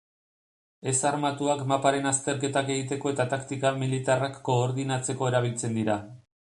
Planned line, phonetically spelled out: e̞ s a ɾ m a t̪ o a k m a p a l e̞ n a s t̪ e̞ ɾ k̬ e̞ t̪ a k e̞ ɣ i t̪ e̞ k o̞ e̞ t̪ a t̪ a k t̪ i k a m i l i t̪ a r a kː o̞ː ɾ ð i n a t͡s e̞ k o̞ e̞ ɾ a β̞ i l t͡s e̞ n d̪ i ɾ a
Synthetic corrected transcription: e̞ s a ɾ m a t̪ u a k m a p a ɾ e̞ n a s t̪ e̞ ɾ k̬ e̞ t̪ a k e̞ ɣ i t̪ e̞ k o̞ e̞ t̪ a t̪ a k t̪ i k a m i l i t̪ a r a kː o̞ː ɾ ð i n a t͡s e̞ k o̞ e̞ ɾ a β̞ i l t͡s e̞ n d̪ i ɾ a